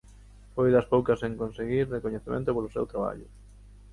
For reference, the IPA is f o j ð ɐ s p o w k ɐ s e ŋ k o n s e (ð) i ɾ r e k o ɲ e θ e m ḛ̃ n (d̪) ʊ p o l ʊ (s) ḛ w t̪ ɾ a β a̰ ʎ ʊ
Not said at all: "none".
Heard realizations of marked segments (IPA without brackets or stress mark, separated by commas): ɣ, t̪, s